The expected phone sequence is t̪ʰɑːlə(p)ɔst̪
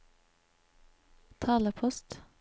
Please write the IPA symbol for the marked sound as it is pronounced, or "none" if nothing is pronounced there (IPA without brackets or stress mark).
pʰ